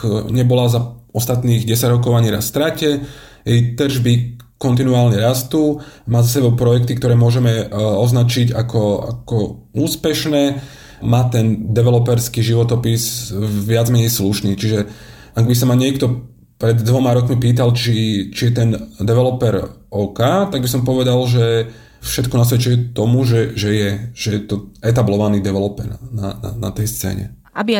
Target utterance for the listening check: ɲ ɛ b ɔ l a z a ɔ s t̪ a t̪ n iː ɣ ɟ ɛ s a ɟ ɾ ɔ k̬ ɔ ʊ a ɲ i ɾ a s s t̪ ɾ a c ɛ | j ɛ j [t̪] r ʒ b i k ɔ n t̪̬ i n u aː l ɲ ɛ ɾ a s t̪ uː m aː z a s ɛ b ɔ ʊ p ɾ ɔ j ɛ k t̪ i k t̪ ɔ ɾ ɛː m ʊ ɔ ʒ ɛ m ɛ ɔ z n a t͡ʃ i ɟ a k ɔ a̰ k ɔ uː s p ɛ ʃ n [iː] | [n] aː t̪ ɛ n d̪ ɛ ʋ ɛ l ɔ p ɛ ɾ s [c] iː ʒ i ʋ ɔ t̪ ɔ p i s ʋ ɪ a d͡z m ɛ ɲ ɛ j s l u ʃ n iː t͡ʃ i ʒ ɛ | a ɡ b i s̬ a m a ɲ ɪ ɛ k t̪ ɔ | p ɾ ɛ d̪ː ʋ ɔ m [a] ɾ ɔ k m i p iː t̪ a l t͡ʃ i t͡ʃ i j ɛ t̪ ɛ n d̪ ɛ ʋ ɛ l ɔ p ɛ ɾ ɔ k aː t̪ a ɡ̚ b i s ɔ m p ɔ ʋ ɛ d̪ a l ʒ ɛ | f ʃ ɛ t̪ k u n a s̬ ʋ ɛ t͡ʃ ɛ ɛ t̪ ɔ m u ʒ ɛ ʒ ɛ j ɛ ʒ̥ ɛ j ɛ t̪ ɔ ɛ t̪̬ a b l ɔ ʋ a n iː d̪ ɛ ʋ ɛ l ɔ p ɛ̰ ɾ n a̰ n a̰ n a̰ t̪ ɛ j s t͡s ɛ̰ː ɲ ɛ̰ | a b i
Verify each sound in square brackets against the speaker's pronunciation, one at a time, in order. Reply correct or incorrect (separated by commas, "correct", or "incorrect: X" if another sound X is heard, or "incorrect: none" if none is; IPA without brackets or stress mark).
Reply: correct, incorrect: ɛː, incorrect: m, incorrect: k, correct